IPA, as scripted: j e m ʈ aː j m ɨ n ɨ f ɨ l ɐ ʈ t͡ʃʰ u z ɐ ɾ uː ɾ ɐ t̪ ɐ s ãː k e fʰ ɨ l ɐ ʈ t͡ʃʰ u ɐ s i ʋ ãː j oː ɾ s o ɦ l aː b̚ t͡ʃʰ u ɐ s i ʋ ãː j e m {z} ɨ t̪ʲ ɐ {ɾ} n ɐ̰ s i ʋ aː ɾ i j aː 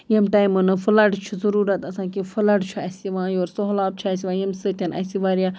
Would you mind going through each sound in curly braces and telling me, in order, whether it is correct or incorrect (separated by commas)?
incorrect, incorrect